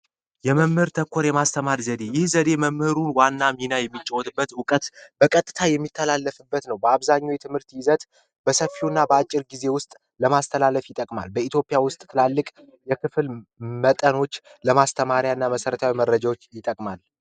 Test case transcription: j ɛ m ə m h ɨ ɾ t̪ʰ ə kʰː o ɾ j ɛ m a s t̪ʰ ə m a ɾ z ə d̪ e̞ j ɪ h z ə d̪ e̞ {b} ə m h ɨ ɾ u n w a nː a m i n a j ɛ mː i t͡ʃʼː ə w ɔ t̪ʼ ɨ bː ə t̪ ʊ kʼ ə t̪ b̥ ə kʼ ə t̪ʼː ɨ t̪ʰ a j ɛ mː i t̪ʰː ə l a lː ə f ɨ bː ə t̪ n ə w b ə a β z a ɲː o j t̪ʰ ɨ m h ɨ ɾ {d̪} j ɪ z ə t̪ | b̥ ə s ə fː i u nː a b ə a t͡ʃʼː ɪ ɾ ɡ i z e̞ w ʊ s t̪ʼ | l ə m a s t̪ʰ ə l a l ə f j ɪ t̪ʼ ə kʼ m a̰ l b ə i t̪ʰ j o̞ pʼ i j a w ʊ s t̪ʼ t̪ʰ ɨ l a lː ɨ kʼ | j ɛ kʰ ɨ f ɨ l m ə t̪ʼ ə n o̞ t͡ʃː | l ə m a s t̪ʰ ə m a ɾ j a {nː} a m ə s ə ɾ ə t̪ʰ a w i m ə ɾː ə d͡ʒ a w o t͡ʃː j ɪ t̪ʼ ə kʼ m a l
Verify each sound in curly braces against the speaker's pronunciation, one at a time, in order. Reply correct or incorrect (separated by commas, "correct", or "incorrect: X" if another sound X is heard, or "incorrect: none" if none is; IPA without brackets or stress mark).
incorrect: m, incorrect: t̪, correct